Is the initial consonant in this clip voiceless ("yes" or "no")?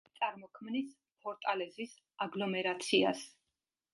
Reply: yes